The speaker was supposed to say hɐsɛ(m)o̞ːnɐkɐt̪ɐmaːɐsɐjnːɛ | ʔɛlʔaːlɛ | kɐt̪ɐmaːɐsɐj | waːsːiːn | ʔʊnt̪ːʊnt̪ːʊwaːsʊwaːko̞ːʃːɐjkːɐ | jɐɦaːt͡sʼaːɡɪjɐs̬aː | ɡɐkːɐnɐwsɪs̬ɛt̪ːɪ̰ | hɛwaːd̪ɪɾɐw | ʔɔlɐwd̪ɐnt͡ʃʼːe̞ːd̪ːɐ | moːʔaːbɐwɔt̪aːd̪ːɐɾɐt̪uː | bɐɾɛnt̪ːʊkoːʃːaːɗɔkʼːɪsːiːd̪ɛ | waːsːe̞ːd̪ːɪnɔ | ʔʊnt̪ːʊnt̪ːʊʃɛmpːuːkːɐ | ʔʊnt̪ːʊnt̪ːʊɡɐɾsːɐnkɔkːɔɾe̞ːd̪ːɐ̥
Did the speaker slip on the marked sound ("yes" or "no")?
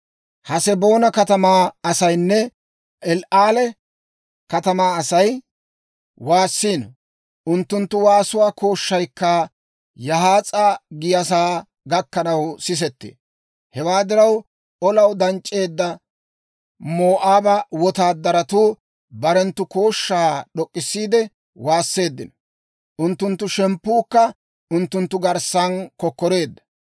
yes